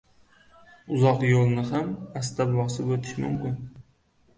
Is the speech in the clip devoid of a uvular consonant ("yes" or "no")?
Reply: no